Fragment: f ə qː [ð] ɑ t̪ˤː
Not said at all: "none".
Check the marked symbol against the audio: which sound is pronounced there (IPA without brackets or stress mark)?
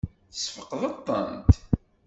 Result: ð